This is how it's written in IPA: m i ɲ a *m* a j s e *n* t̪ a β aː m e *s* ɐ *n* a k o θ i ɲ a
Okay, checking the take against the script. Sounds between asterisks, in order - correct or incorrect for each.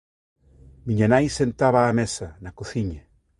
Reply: incorrect: n, correct, correct, correct

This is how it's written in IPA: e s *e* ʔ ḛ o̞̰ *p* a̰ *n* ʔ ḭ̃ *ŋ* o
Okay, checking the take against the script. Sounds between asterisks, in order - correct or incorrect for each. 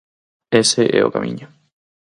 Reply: correct, incorrect: k, incorrect: m, incorrect: ɲ

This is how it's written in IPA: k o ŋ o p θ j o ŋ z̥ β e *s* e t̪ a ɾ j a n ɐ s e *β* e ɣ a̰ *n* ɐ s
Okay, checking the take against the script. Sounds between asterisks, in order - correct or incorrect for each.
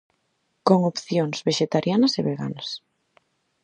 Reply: incorrect: ʃ, correct, correct

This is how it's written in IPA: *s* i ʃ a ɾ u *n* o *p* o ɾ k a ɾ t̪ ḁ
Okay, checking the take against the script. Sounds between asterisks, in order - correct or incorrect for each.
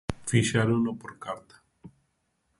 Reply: incorrect: f, correct, correct

